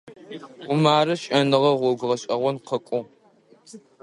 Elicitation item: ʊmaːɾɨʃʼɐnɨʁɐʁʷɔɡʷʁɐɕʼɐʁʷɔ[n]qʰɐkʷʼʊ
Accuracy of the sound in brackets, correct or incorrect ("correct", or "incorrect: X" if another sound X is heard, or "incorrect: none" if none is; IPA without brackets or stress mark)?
correct